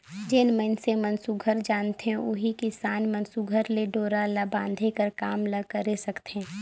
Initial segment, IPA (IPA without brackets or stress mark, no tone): d͡ʒ